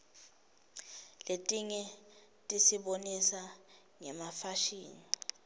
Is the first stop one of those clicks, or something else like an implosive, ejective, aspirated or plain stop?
ejective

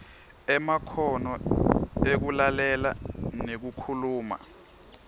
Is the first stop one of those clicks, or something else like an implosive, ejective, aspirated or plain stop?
aspirated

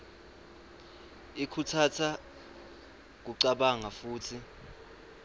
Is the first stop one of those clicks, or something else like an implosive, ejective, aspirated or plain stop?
aspirated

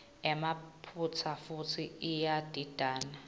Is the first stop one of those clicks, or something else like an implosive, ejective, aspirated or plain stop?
aspirated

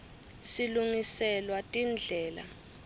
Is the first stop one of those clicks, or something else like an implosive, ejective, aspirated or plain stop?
ejective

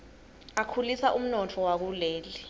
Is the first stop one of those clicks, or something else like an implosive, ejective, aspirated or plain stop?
aspirated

